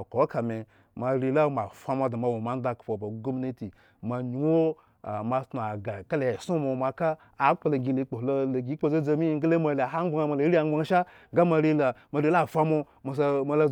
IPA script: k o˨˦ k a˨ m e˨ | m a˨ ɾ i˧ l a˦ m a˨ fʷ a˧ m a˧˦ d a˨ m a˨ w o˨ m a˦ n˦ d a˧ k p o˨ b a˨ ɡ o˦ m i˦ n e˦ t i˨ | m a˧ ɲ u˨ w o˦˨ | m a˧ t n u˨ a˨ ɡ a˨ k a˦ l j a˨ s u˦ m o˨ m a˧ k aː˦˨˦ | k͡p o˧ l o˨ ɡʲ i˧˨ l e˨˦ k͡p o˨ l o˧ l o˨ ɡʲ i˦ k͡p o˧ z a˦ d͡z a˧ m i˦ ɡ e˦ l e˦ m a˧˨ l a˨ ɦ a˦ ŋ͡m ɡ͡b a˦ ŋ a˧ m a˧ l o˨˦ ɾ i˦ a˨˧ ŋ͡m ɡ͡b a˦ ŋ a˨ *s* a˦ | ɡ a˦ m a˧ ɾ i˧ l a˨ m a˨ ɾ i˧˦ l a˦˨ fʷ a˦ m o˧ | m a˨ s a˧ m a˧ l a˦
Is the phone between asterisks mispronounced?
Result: yes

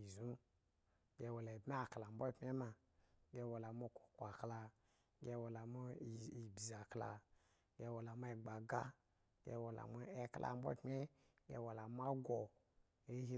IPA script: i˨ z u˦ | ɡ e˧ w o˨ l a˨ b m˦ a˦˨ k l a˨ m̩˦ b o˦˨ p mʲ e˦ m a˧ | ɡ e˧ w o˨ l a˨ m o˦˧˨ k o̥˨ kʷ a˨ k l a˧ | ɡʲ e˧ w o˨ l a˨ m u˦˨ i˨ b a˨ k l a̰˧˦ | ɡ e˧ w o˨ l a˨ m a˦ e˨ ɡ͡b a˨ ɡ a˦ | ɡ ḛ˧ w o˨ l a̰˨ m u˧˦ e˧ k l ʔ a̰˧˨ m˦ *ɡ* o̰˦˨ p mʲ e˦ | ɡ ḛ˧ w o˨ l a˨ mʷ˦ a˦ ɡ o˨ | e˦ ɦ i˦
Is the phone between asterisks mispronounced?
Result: yes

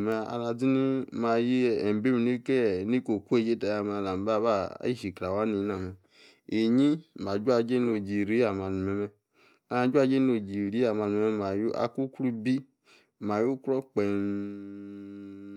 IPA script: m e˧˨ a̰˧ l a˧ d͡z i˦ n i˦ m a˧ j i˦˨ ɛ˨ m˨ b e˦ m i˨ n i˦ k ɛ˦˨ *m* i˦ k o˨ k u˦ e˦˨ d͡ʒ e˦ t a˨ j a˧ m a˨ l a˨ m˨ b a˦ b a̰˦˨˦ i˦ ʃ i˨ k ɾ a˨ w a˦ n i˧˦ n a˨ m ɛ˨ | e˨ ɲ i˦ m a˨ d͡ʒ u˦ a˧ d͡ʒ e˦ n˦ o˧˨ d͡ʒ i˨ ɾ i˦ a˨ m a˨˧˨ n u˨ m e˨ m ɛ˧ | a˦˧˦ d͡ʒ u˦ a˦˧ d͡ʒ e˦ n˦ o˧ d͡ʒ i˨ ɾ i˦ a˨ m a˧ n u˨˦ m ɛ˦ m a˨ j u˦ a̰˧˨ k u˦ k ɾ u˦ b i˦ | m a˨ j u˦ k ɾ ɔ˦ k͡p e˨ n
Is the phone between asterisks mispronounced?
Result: yes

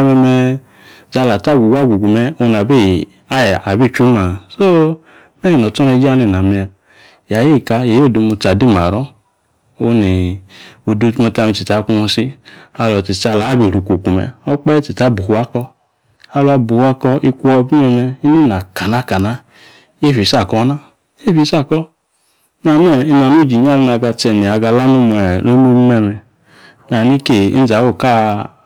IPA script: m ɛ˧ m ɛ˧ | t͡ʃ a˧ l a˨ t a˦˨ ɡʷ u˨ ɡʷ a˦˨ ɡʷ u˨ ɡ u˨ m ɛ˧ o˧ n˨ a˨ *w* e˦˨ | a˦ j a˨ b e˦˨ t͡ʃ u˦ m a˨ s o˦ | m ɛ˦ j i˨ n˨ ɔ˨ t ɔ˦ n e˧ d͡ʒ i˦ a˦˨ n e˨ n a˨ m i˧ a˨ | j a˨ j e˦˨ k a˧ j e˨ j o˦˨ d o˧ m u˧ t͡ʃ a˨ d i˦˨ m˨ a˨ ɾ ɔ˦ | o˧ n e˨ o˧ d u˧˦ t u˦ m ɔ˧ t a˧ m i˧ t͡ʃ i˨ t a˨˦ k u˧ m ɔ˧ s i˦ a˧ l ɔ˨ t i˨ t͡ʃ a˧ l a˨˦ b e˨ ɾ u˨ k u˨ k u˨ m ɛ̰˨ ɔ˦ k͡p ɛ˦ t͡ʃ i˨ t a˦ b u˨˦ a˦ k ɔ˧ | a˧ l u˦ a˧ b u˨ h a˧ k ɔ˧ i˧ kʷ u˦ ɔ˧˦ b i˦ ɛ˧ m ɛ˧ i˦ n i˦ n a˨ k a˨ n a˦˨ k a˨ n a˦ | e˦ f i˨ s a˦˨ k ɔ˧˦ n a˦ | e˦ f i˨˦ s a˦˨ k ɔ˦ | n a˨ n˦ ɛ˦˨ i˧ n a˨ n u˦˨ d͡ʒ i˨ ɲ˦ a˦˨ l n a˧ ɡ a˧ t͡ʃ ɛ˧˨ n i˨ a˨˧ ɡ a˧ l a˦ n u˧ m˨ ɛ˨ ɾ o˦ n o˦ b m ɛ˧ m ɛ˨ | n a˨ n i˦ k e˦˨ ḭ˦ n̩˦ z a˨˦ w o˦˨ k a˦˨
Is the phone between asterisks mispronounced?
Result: yes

